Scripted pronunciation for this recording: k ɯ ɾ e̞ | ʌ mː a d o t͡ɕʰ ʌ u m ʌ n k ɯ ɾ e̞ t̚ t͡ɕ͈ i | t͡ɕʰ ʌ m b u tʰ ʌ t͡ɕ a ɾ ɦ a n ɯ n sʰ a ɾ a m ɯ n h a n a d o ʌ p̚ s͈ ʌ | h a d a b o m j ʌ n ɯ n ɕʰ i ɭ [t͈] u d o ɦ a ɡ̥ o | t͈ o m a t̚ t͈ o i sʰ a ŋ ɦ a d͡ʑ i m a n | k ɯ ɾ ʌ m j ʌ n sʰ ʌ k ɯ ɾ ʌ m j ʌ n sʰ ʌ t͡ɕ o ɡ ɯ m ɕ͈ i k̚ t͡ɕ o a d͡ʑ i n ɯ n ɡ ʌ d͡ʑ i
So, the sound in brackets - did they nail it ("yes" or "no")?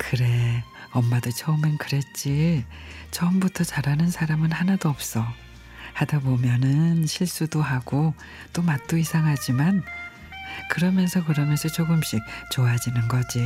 no